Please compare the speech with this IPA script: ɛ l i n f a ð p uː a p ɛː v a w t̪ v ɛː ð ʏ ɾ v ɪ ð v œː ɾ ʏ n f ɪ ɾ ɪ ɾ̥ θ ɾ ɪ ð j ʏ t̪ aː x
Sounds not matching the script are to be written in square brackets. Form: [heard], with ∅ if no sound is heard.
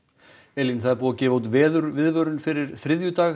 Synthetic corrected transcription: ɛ l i n [θ] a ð p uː a [c] ɛː v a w t̪ v ɛː ð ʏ ɾ v ɪ ð v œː ɾ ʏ n f ɪ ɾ ɪ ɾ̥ θ ɾ ɪ ð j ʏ t̪ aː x